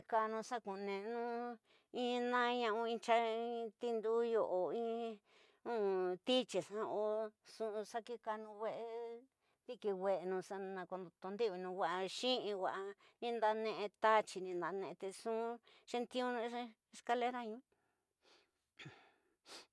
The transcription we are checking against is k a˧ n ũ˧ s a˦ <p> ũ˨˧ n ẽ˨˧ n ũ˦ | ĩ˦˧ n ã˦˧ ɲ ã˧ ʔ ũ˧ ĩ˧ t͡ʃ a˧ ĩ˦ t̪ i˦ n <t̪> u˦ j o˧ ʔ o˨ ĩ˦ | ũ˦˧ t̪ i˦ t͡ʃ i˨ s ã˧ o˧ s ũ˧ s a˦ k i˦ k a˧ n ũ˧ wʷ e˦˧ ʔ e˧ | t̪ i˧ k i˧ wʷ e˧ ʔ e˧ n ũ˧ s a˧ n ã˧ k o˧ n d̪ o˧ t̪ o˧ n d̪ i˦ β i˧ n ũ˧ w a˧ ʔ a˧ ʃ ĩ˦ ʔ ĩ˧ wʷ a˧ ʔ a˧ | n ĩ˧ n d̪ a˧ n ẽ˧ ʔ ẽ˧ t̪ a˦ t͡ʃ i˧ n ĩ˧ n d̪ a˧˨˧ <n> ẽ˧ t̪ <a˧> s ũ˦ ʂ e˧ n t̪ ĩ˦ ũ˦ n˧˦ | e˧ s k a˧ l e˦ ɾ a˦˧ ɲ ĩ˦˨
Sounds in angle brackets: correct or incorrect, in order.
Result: incorrect: k, incorrect: d̪, correct, incorrect: e˧

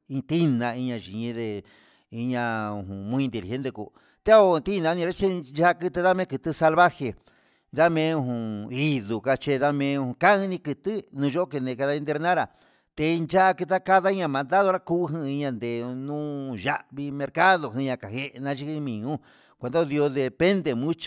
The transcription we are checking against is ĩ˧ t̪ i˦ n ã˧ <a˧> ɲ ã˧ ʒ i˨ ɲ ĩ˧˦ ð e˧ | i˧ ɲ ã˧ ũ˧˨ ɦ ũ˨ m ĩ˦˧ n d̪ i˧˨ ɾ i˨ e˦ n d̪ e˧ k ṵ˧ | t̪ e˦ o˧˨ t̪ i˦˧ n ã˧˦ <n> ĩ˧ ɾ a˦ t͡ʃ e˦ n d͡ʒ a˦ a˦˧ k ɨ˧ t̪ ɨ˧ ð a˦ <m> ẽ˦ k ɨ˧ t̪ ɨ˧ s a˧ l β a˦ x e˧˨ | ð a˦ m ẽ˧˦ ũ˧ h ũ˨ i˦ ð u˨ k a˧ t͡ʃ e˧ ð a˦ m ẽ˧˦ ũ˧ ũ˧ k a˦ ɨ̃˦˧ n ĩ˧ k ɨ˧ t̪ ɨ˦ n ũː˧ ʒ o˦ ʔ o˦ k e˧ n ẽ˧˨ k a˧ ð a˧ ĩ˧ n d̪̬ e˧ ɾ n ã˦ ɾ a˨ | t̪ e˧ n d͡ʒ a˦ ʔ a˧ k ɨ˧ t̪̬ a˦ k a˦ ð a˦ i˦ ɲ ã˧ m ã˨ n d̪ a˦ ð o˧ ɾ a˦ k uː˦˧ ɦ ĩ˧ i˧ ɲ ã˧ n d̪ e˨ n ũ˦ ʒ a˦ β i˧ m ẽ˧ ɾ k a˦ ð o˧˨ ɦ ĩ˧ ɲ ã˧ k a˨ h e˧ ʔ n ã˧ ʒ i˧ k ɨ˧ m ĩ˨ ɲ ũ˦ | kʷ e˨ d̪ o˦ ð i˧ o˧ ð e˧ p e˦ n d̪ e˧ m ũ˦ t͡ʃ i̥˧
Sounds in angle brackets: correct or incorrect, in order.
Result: incorrect: i˧, correct, correct

